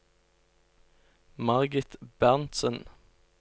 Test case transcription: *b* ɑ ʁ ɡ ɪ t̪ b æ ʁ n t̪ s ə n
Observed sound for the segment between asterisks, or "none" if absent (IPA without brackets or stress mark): m